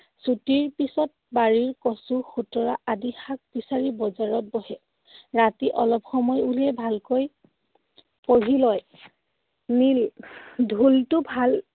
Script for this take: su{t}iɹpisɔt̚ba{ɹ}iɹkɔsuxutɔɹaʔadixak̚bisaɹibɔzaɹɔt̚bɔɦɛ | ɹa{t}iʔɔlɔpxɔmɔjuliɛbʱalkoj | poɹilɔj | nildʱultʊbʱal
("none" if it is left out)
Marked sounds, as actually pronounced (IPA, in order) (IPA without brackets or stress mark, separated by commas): t, ɹ, t